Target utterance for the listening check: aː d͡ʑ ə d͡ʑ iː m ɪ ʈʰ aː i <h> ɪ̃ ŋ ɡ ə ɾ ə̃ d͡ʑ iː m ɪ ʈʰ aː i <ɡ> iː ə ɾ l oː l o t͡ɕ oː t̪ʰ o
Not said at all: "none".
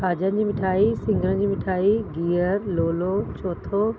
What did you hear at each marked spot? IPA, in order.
s, ɡ

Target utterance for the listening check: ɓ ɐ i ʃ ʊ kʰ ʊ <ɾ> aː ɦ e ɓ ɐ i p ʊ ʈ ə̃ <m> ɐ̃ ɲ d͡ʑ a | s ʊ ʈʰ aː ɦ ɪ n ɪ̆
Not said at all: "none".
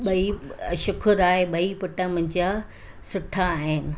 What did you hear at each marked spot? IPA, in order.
ɾ, m

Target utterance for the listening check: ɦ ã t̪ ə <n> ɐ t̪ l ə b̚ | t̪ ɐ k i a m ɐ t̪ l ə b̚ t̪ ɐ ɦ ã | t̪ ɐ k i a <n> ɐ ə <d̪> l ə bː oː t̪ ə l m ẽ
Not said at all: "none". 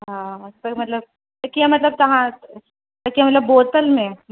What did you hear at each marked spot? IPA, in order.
m, m, t̪

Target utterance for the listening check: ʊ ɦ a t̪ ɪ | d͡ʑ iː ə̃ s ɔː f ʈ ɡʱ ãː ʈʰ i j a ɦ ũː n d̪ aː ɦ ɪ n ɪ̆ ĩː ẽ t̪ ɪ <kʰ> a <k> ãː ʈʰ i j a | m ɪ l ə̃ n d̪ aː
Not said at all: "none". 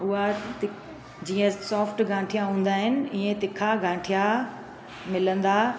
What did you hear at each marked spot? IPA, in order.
kʰ, ɡ

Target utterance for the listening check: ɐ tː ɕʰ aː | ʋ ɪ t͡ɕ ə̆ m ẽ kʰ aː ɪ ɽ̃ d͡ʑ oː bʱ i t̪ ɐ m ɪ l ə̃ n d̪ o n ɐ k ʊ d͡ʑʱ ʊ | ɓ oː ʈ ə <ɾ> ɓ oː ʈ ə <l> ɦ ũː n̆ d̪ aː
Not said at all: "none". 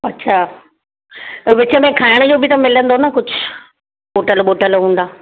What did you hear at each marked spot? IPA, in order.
l, l

